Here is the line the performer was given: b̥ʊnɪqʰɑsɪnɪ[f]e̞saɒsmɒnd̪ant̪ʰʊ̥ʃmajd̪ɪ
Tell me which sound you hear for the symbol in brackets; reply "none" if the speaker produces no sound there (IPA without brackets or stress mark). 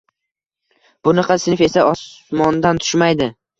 f